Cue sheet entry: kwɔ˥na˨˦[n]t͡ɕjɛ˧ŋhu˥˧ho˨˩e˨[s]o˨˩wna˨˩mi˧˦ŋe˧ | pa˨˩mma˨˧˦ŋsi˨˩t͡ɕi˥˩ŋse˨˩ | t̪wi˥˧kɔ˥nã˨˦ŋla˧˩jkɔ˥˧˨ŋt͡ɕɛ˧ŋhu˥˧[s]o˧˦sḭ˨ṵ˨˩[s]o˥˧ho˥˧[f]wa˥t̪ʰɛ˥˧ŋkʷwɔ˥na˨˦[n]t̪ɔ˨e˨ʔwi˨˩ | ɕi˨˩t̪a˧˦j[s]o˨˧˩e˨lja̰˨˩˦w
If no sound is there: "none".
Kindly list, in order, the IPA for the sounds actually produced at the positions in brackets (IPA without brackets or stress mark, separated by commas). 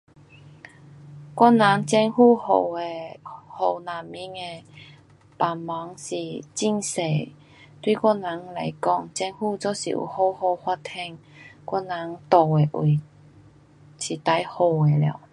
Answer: ŋ, h, t͡s, h, h, ŋ, h